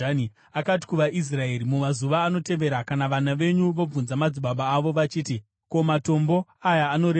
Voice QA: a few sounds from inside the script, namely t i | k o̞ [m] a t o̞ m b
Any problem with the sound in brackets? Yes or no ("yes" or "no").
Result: no